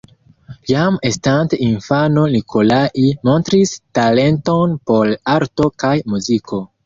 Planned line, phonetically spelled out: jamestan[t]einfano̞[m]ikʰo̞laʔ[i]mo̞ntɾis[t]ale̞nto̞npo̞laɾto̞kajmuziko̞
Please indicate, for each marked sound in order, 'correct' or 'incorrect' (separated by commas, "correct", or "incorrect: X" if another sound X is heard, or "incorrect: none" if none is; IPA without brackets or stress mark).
correct, incorrect: n, correct, correct